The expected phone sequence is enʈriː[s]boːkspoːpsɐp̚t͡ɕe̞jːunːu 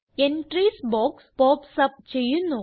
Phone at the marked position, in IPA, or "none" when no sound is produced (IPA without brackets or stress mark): s